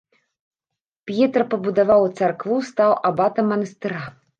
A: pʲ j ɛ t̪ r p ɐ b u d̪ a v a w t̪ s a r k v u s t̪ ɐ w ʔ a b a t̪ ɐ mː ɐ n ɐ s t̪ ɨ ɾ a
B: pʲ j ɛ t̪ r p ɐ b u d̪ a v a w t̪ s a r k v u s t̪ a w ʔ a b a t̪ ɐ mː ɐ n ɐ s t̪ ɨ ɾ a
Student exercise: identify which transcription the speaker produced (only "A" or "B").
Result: B